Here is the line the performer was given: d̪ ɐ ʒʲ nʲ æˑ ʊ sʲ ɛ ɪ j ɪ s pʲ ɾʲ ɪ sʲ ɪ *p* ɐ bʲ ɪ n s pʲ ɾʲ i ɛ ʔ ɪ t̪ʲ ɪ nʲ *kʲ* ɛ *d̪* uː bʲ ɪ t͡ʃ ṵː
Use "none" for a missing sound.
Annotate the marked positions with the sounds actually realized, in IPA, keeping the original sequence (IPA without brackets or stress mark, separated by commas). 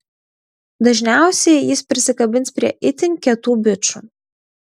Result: k, kʲ, t̪